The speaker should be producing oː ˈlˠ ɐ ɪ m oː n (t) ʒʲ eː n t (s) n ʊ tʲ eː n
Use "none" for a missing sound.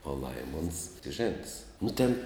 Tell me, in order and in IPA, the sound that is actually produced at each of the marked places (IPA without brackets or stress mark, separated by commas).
s, s